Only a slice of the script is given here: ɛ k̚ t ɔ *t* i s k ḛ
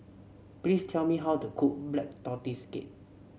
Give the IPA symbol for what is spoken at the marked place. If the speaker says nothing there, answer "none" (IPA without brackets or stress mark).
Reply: t